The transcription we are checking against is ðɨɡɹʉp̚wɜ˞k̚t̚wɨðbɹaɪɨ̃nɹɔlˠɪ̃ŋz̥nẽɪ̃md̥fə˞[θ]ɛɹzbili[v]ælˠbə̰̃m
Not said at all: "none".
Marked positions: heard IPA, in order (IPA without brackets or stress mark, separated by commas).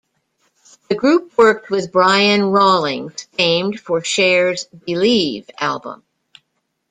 ʃ, v